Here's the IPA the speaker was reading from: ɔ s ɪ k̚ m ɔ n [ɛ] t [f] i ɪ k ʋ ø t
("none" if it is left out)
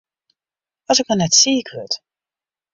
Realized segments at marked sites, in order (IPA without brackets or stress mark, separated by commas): ɛ, s